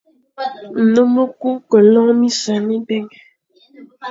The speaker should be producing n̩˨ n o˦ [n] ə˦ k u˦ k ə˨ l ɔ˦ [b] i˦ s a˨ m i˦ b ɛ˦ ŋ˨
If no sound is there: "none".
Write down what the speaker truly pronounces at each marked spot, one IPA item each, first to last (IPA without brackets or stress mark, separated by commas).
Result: m, m